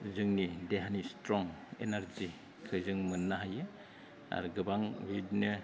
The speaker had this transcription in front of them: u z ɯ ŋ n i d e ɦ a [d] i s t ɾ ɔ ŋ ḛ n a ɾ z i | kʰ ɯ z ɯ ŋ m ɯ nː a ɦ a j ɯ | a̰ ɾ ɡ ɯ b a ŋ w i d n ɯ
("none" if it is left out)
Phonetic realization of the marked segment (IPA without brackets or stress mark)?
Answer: n